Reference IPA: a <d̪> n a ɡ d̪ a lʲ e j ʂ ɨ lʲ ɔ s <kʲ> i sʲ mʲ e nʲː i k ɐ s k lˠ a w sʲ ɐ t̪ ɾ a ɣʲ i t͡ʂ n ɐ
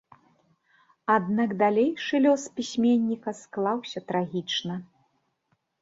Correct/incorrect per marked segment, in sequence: correct, incorrect: pʲ

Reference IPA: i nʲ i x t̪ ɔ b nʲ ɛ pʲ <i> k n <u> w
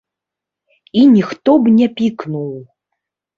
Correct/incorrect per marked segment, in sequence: correct, correct

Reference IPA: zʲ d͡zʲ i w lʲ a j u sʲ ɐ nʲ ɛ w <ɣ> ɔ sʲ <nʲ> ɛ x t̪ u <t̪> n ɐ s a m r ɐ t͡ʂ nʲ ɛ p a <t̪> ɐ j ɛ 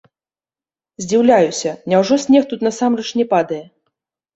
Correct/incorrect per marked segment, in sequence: incorrect: ʐ, correct, correct, incorrect: d̪

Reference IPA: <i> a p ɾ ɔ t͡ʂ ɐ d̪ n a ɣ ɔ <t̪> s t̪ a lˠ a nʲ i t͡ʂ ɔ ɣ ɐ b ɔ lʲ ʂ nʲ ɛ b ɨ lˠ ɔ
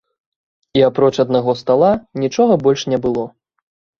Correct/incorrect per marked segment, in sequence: correct, incorrect: none

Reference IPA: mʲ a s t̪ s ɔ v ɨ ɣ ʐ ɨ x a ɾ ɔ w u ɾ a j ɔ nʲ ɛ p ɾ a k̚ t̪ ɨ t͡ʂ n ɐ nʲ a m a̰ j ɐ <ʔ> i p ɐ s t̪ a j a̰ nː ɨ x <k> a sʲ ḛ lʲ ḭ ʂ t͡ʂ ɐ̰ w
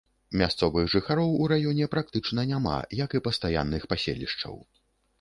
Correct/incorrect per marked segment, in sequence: incorrect: k, incorrect: p

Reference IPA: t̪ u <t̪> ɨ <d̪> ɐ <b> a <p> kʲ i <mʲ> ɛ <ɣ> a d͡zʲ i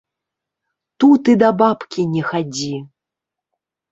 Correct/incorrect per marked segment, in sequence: correct, correct, correct, correct, incorrect: nʲ, incorrect: x

